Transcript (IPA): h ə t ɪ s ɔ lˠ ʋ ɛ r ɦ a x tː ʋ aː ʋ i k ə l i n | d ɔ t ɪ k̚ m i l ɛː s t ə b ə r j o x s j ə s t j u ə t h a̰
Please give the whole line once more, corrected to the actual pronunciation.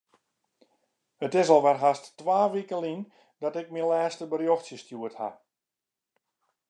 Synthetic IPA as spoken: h ə t ɪ s ɔ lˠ ʋ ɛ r ɦ a s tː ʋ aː ʋ i k ə l i n | d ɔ t ɪ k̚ m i l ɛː s t ə b ə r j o x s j ə s t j u ə t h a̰